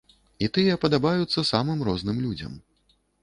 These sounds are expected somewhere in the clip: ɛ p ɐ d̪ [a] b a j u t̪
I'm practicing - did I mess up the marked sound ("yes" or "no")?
no